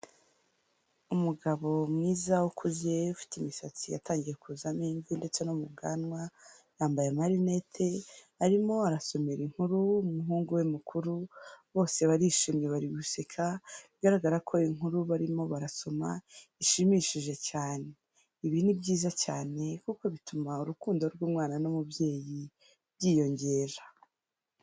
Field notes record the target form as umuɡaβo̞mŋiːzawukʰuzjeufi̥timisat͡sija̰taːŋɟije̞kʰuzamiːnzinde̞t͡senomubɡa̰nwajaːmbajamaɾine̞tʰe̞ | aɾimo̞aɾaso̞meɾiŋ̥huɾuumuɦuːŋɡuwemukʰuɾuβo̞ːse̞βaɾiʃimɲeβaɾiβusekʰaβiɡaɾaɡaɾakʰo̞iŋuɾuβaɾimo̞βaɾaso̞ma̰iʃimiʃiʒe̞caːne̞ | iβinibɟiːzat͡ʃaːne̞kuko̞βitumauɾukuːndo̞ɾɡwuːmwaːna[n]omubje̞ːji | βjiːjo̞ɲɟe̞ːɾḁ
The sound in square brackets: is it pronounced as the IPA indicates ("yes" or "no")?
yes